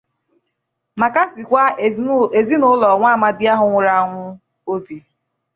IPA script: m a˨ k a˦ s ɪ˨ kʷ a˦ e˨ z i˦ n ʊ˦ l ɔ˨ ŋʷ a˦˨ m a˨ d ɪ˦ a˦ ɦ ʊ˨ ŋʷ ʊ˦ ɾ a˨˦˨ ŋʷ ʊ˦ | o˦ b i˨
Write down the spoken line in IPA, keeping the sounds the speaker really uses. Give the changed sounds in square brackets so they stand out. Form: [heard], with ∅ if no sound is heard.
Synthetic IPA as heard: m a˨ k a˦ s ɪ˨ kʷ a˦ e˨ z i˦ n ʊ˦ l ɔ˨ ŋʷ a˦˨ m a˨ d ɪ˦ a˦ ɦ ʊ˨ ŋʷ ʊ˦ ɾ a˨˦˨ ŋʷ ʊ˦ | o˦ b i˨